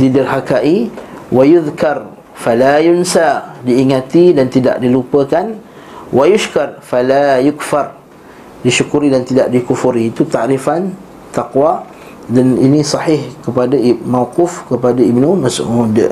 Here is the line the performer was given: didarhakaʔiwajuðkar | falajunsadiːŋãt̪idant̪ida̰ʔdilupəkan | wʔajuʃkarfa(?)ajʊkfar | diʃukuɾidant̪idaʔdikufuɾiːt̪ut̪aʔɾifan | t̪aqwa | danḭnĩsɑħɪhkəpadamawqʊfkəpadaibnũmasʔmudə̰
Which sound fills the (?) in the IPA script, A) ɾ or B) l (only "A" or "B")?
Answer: B